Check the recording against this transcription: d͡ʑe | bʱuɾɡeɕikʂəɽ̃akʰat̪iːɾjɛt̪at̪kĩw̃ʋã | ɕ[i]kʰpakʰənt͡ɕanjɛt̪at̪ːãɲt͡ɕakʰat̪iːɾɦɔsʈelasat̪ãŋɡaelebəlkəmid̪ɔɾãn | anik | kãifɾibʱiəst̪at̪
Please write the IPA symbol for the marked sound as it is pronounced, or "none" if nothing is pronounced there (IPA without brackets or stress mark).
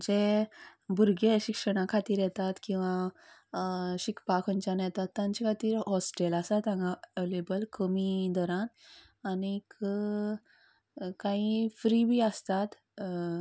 i